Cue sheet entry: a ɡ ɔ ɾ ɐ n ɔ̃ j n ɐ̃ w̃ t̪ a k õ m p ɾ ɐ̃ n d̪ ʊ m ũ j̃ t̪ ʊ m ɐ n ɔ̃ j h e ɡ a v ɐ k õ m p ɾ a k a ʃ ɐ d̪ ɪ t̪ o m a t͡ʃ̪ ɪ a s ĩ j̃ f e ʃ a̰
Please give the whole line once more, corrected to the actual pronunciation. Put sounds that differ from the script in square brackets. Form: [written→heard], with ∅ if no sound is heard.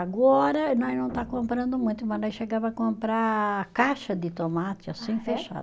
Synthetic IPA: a ɡ ɔ ɾ ɐ n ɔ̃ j n ɐ̃ w̃ t̪ a k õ m p ɾ ɐ̃ n d̪ ʊ m ũ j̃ t̪ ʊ m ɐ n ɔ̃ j [h→ʃ] e ɡ a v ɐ k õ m p ɾ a k a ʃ ɐ d̪ ɪ t̪ o m a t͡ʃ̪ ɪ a s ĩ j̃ f e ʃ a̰